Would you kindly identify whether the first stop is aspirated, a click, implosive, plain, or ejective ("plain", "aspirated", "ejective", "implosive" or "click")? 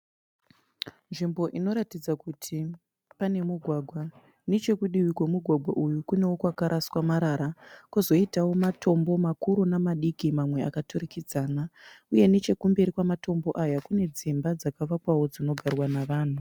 plain